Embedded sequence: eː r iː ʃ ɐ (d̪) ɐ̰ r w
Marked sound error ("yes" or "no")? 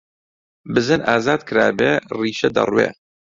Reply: no